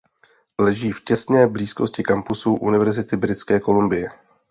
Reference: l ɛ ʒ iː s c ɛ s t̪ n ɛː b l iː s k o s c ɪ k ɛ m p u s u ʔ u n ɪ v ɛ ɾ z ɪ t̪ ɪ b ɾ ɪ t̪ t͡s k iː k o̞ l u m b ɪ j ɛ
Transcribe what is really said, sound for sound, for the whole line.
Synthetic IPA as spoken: l ɛ ʒ iː f c ɛ s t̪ n ɛː b l iː s k o s c ɪ k a m p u s u ʔ u n ɪ v ɛ ɾ z ɪ t̪ ɪ b ɾ ɪ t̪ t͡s k ɛː k o̞ l u m b ɪ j ɛ